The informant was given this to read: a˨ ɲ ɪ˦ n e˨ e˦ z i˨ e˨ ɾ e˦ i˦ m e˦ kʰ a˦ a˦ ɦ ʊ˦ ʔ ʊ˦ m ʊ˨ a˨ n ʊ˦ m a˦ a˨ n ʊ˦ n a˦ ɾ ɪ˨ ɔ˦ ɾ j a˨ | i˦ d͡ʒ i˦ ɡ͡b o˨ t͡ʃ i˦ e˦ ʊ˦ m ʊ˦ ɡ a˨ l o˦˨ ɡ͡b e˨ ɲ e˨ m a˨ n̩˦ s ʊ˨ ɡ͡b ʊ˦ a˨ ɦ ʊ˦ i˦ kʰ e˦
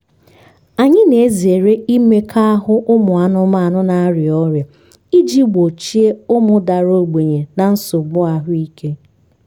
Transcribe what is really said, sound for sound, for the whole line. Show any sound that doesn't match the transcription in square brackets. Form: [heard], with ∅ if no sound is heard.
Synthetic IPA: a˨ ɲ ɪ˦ n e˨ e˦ z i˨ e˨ ɾ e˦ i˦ m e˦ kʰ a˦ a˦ ɦ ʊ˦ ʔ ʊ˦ m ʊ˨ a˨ n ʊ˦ m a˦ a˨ n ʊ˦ n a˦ ɾ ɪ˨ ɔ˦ ɾ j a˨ | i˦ d͡ʒ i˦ ɡ͡b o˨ t͡ʃ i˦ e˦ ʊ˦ m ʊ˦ [d] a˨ [ɾ] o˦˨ ɡ͡b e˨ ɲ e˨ [n] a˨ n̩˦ s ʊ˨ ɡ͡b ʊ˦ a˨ ɦ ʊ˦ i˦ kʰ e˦